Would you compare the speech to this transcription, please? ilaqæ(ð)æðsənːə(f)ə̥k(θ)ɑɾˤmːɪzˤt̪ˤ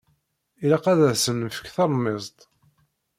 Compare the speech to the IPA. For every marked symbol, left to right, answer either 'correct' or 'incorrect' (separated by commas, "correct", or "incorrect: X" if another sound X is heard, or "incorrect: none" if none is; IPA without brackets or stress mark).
correct, correct, correct